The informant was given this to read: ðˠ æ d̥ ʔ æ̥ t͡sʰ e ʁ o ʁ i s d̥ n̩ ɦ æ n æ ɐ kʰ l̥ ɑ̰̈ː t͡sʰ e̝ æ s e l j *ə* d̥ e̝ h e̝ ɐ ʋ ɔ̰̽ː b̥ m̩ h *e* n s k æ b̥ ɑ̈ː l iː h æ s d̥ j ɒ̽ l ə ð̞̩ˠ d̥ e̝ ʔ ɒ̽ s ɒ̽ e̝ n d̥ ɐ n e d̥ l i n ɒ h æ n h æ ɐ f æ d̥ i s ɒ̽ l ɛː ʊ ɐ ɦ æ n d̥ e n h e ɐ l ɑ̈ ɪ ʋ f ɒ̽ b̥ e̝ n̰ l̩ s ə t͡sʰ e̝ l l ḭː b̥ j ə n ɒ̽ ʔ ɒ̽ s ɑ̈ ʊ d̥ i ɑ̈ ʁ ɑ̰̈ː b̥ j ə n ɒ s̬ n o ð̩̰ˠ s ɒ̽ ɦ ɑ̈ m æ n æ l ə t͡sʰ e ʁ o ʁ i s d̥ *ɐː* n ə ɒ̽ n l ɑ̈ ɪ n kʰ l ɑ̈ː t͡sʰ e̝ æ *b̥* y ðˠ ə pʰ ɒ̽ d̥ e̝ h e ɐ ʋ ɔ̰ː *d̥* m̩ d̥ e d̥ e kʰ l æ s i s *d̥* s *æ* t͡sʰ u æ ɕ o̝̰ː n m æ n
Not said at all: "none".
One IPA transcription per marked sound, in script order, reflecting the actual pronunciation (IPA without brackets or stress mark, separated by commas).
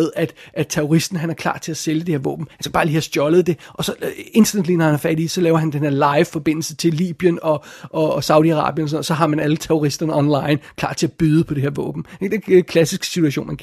ə, æ, ɐ, b̥, b̥, ɡ̥, i